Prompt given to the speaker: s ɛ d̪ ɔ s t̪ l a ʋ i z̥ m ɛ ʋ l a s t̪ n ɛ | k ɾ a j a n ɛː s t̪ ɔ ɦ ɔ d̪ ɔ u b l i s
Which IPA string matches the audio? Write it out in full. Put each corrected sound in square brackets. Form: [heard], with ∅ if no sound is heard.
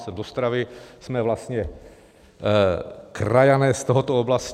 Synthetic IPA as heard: s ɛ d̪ ɔ s t̪ [ɾ] a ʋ i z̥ m ɛ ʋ l a s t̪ [ɲ] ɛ | k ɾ a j a n ɛː s t̪ ɔ ɦ ɔ [t̪] ɔ [ɔ] b l [a] s